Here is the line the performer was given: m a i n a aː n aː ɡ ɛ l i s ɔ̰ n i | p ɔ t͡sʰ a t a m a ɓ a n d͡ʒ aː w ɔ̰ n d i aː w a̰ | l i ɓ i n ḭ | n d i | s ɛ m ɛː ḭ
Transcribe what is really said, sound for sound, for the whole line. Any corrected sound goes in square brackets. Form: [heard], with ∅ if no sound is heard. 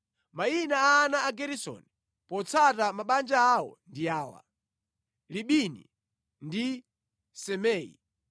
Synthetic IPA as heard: m a i n a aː n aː ɡ ɛ [ɾ] i s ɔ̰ n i | p ɔ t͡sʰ a t a m a ɓ a n d͡ʒ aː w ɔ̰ n d i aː w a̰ | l i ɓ i n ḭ | n d i | s ɛ m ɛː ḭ